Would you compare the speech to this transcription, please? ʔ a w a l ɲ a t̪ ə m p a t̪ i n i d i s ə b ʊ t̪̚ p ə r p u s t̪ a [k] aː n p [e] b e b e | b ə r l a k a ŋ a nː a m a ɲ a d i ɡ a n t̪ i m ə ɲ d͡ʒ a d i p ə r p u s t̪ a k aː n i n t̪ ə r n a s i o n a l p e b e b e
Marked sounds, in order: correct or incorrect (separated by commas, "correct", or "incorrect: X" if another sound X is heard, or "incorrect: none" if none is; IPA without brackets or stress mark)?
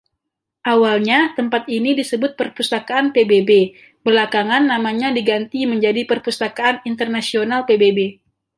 correct, correct